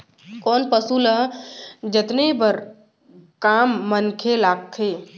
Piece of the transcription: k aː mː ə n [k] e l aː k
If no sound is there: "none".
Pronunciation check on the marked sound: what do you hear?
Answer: kʰ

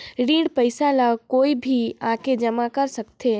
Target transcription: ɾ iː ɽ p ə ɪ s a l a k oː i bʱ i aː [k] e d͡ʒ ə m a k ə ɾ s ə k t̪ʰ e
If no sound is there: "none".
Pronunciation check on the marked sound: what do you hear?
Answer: k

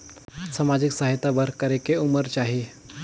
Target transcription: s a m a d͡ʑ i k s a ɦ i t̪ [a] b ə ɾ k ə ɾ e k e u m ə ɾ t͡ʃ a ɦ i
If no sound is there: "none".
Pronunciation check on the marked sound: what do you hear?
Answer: a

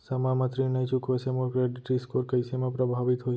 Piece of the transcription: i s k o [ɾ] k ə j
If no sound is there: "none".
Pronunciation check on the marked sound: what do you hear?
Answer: ɾ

